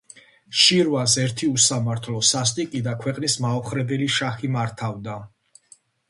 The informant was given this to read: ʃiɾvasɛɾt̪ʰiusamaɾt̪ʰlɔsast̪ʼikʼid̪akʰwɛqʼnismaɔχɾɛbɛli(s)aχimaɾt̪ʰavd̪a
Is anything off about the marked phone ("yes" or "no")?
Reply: yes